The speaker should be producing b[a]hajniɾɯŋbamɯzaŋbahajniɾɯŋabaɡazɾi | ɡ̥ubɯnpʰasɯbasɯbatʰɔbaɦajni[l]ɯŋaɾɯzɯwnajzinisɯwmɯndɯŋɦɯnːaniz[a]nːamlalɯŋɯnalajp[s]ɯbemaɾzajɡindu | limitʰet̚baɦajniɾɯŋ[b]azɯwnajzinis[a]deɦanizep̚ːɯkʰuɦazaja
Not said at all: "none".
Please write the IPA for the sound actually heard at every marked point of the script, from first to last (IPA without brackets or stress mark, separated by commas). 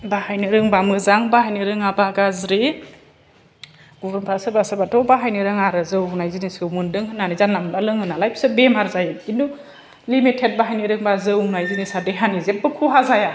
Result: a, ɾ, a, s, b, a